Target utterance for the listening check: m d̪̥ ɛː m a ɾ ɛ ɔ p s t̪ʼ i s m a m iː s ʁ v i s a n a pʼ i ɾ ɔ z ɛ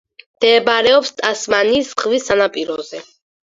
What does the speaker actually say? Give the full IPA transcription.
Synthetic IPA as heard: m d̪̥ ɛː b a ɾ ɛ ɔ p s t̪ʼ a s m a n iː s ʁ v i s a n a pʼ i ɾ ɔ z ɛ